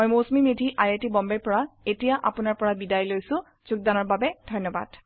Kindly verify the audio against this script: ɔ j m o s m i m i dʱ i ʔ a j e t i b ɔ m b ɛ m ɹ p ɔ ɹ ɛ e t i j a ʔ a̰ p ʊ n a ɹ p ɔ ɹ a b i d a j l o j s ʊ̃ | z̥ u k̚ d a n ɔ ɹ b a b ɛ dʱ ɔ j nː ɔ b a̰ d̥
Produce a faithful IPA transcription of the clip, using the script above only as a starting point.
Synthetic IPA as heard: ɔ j m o s m i m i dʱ i ʔ a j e t i b ɔ m b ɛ ɹ p ɔ ɹ a e t i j a ʔ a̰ p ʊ n a ɹ p ɔ ɹ a b i d a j l o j s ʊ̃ | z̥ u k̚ d a n ɔ ɹ b a b ɛ dʱ ɔ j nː ɔ b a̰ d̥

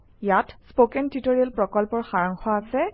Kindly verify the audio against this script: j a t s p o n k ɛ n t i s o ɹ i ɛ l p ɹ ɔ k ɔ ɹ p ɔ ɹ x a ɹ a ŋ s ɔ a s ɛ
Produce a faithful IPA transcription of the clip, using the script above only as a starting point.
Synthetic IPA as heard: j a t s p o k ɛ n t i t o ɹ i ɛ l p ɹ ɔ k ɔ l p ɔ ɹ x a ɹ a ŋ x ɔ a s ɛ

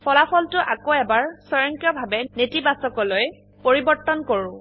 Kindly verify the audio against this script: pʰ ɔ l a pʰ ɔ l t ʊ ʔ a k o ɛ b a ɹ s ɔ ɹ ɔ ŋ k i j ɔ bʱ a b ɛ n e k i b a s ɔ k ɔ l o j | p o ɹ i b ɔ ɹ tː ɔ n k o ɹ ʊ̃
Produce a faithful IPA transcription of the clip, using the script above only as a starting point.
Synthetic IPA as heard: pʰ ɔ l a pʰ ɔ l t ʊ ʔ a k o ɛ b a ɹ s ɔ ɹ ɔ ŋ k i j ɔ bʱ a b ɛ n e t i b a s ɔ k ɔ l o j | p o ɹ i b ɔ ɹ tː ɔ n k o ɹ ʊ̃

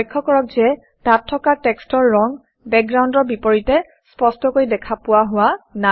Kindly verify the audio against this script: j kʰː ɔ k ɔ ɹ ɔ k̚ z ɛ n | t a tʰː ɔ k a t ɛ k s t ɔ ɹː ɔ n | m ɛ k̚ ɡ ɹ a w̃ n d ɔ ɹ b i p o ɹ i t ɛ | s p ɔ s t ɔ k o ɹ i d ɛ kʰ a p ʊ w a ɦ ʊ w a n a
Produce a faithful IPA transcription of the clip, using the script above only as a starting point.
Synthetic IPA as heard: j kʰː ɔ k ɔ ɹ ɔ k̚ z ɛ | t a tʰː ɔ k a t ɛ k s t ɔ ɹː ɔ ŋ | b ɛ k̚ ɡ ɹ a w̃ n d ɔ ɹ b i p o ɹ i t ɛ | s p ɔ s t ɔ k o ɹ i d ɛ kʰ a p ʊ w a ɦ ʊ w a n a

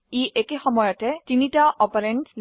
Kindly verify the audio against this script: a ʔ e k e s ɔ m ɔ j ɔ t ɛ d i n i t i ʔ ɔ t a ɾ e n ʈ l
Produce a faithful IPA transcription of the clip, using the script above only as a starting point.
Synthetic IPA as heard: i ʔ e k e x ɔ m ɔ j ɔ t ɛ t i n i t a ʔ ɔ p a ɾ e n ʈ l

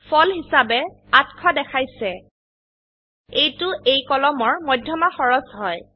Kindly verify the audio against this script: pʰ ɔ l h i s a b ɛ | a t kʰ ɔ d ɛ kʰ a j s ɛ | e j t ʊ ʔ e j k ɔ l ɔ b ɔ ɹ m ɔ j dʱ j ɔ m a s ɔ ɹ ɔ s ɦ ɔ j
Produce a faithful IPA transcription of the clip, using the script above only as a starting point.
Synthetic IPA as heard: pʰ ɔ l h i s a b ɛ | a t kʰ ɔ d ɛ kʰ a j s ɛ | e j t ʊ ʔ e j k ɔ l ɔ m ɔ ɹ m ɔ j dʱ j ɔ m a x ɔ ɹ ɔ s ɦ ɔ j

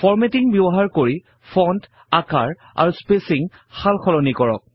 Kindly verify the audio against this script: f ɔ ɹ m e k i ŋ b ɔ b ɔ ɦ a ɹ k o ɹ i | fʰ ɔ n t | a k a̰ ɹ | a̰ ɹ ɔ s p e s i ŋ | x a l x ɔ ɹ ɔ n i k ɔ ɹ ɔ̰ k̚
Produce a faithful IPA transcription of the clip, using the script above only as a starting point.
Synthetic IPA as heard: f ɔ ɹ m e t i ŋ b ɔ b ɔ ɦ a ɹ k o ɹ i | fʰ ɔ n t | a k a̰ ɹ | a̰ ɹ u s p e s i ŋ | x a l x ɔ l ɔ n i k ɔ ɹ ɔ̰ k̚

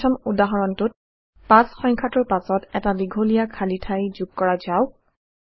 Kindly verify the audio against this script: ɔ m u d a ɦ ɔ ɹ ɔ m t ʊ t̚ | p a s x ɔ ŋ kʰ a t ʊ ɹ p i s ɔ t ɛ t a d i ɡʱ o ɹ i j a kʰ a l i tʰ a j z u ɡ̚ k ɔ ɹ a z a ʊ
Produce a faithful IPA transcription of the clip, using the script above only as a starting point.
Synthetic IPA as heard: ɔ m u d a ɦ ɔ ɹ ɔ n t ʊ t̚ | p a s x ɔ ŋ kʰ a t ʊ ɹ p a s ɔ t ɛ t a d i ɡʱ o l i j a kʰ a l i tʰ a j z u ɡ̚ k ɔ ɹ a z a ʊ

